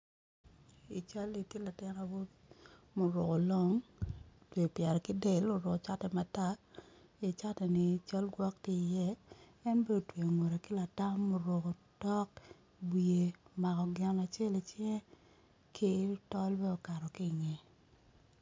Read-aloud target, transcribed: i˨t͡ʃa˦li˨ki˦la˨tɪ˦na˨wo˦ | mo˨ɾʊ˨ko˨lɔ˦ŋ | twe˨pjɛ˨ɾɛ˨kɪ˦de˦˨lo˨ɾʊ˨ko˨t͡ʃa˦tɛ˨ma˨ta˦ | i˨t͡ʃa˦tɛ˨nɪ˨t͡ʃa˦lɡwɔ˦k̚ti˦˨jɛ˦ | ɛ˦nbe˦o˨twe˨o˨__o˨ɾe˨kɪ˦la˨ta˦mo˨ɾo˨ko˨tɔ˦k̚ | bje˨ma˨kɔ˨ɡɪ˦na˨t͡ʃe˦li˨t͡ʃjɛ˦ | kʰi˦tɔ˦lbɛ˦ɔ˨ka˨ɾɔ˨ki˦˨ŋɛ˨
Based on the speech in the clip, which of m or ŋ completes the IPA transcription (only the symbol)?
ŋ